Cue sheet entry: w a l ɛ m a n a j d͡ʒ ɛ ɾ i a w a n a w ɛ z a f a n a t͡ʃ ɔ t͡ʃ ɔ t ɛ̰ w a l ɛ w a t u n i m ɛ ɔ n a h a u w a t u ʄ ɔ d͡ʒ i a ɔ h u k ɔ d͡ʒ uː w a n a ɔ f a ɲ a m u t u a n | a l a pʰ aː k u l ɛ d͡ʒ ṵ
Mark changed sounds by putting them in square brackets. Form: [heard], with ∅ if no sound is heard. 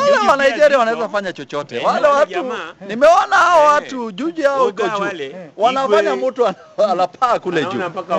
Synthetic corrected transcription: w a l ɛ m a n a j d͡ʒ ɛ ɾ i a w a n a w ɛ z a f a [ɲ] a t͡ʃ ɔ t͡ʃ ɔ t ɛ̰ w a l ɛ w a t u n i m ɛ ɔ n a h a [ɔ] w a t u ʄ [u] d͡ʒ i a ɔ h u k ɔ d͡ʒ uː w a n a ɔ f a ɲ a m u t u a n | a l a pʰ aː k u l ɛ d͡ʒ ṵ